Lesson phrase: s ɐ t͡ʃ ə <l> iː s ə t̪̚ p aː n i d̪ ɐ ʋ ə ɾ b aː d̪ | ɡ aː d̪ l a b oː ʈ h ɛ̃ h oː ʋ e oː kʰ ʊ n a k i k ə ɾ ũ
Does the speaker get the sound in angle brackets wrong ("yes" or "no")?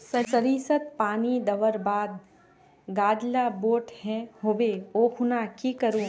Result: yes